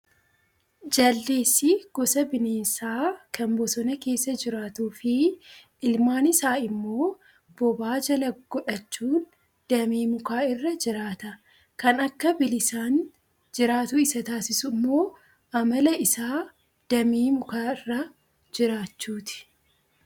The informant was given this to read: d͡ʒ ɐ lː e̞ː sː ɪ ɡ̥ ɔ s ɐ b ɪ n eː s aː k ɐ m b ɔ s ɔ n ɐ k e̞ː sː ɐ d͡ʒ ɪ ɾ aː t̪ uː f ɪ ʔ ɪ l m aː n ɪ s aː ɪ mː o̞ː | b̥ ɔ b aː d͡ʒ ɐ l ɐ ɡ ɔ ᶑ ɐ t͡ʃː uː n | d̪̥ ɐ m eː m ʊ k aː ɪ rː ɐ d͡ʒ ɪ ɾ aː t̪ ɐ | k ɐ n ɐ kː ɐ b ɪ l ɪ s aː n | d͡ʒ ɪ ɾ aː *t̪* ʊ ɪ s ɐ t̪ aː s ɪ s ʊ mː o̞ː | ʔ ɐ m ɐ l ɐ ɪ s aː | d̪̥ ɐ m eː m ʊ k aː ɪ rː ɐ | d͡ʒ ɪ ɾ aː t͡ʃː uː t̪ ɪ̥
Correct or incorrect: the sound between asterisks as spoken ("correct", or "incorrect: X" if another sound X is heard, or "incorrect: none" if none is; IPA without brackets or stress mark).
correct